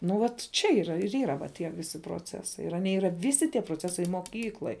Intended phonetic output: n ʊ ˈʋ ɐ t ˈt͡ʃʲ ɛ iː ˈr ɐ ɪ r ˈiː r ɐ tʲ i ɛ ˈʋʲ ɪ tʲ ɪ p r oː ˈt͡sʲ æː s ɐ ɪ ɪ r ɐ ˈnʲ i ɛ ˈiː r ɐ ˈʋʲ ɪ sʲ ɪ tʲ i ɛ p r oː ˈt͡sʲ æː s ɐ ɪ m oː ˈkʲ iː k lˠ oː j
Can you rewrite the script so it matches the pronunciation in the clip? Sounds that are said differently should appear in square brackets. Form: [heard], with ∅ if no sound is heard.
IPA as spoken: n ʊ ˈʋ ɐ t ˈt͡ʃʲ ɛ iː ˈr ɐ ɪ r ˈiː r ɐ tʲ i ɛ ˈʋʲ ɪ [sʲ] ɪ p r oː ˈt͡sʲ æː s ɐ ɪ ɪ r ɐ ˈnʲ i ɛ ˈiː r ɐ ˈʋʲ ɪ sʲ ɪ tʲ i ɛ p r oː ˈt͡sʲ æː s ɐ ɪ m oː ˈkʲ iː k lˠ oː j